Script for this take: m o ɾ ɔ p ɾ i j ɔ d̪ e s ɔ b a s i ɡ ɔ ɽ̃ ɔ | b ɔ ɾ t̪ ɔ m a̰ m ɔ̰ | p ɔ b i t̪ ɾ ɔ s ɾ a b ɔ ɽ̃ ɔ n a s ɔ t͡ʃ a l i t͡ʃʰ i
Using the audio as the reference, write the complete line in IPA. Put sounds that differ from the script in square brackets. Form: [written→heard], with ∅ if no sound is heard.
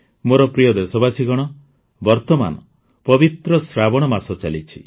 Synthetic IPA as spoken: m o ɾ ɔ p ɾ i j ɔ d̪ e s ɔ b a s i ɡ ɔ ɽ̃ ɔ | b ɔ ɾ t̪ ɔ m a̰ [m→n] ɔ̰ | p ɔ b i t̪ ɾ ɔ s ɾ a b ɔ ɽ̃ ɔ [n→m] a s ɔ t͡ʃ a l i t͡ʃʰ i